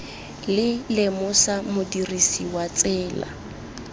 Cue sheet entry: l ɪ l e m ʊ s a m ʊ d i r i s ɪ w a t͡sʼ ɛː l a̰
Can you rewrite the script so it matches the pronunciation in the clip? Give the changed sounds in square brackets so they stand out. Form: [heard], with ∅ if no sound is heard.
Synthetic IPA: l ɪ l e m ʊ s a m ʊ d i r i s [i] w a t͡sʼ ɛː l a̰